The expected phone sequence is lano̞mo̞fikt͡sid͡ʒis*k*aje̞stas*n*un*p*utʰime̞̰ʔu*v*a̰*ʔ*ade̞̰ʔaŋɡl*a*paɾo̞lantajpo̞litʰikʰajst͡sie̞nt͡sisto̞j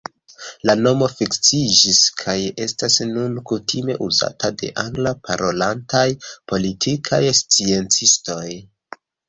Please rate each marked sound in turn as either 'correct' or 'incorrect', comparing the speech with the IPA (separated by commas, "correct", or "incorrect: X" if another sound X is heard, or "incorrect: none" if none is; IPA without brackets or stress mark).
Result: incorrect: kʰ, correct, incorrect: k, incorrect: z, incorrect: t, correct